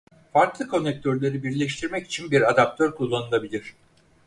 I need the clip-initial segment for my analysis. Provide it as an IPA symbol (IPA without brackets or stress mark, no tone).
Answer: f